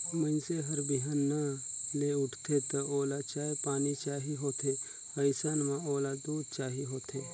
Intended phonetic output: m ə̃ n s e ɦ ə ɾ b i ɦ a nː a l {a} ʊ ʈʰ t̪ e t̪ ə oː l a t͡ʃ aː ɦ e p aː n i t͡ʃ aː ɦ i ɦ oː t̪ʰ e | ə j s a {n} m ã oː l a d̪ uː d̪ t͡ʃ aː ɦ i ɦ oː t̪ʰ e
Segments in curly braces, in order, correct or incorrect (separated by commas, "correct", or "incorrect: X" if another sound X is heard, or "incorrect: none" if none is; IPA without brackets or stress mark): incorrect: e, correct